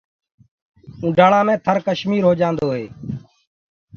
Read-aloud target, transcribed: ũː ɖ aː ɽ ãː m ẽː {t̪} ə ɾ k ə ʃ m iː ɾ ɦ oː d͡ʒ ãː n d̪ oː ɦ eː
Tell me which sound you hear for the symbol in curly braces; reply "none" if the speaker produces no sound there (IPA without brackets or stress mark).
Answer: t̪ʰ